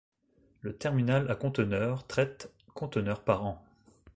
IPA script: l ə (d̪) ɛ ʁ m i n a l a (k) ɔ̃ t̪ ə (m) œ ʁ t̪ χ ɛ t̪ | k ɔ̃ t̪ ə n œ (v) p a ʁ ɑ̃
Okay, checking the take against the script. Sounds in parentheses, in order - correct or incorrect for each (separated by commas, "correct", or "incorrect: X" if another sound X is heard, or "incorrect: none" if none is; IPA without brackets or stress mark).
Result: incorrect: t̪, correct, incorrect: n, incorrect: ʁ